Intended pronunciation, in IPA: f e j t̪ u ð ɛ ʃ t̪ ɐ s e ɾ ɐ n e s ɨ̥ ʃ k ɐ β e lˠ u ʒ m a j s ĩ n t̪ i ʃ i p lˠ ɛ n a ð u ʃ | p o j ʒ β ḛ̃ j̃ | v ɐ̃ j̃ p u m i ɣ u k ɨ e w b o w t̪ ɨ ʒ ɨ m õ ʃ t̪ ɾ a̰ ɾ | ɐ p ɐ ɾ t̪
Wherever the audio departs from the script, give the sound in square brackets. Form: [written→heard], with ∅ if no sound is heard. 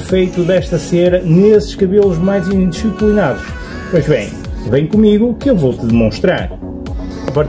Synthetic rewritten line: f e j t̪ u ð ɛ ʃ t̪ ɐ s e ɾ ɐ n e s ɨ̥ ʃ k ɐ β e lˠ u ʒ m a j [s→z] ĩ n [t̪→d̪] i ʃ i p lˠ [ɛ→i] n a ð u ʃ | p o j ʒ β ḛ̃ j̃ | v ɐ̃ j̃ [p→k] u m i ɣ u k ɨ e w [b→v] o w t̪ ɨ [ʒ→ð] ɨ m õ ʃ t̪ ɾ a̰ ɾ | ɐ p ɐ ɾ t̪